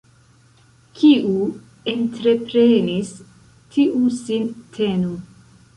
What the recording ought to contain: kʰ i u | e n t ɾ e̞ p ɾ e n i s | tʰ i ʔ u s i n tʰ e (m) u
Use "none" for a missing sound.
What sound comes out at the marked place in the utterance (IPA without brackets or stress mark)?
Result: n